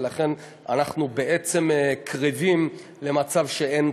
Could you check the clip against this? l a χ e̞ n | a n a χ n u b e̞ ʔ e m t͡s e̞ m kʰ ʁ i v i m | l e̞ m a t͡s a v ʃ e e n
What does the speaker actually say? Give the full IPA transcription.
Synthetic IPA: l a χ e̞ n | a n a χ n u b e̞ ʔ e t͡s e̞ m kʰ ʁ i v i m | l e̞ m a t͡s a v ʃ e e n

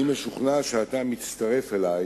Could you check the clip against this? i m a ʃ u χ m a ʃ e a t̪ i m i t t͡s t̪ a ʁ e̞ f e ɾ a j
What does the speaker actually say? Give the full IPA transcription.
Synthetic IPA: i m e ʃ u χ n a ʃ e a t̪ a m i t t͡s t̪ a ʁ e̞ f e l a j

